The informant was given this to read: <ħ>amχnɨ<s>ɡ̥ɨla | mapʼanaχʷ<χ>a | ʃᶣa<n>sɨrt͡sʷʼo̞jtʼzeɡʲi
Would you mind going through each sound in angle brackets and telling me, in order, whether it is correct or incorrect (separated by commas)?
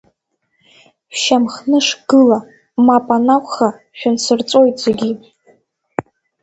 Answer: incorrect, incorrect, correct, correct